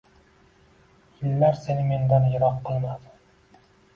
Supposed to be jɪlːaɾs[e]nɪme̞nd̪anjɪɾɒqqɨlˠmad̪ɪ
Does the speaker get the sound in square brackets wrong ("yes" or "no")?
no